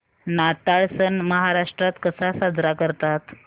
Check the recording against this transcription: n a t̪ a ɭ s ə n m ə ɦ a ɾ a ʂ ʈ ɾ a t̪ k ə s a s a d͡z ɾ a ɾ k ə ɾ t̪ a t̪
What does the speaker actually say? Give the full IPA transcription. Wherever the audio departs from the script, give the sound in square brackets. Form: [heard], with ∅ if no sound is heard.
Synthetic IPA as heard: n a t̪ a ɭ s ə n m ə ɦ a ɾ a ʂ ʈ ɾ a t̪ k ə s a s a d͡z ɾ a [∅] k ə ɾ t̪ a t̪